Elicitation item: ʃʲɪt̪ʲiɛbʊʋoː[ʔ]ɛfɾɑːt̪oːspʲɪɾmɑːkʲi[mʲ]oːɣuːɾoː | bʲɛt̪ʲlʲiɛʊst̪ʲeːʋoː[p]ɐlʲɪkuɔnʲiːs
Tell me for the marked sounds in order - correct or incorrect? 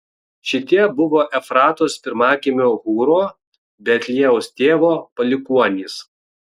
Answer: correct, correct, correct

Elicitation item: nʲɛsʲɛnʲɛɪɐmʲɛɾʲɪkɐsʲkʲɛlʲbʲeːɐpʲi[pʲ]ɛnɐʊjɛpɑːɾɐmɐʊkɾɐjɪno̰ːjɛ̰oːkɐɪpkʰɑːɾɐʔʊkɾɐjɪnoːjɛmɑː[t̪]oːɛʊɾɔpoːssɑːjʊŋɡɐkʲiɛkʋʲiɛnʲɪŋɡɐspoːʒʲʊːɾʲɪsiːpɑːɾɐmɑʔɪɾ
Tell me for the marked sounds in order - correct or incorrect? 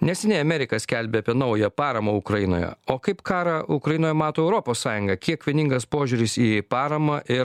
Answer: incorrect, correct

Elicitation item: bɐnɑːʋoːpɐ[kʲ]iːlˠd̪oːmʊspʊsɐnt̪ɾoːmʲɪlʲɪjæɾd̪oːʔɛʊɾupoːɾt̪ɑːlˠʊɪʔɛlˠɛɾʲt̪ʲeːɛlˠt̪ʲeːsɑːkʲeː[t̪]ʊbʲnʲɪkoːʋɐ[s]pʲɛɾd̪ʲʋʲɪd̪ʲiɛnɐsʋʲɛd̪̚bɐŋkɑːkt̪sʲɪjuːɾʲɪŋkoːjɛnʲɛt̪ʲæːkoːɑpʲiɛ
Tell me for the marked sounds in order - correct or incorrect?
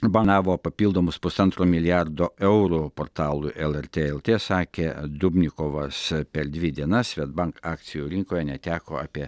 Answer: incorrect, incorrect, correct

